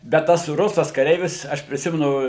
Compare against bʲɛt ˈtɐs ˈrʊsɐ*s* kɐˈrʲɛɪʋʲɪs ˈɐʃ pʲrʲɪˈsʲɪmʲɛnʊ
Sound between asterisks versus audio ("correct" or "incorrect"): correct